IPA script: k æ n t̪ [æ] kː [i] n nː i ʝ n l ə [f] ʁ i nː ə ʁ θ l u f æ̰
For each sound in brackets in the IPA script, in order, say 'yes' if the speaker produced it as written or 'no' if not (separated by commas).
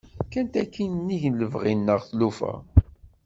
yes, yes, no